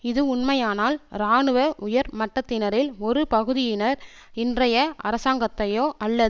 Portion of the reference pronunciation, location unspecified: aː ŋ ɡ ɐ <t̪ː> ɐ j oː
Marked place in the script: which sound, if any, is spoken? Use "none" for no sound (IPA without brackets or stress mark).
t̪ː